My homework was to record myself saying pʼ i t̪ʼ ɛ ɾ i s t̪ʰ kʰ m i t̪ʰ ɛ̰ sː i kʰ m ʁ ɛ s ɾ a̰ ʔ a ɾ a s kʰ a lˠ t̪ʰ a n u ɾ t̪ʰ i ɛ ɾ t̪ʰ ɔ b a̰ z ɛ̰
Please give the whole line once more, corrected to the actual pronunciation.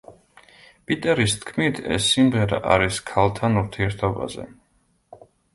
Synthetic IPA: pʼ i t̪ʼ ɛ ɾ i s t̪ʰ kʰ m i t̪ʰ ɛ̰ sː i m ʁ ɛ ɾ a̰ ʔ a ɾ i s kʰ a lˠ t̪ʰ a n u ɾ t̪ʰ i ɛ ɾ t̪ʰ ɔ b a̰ z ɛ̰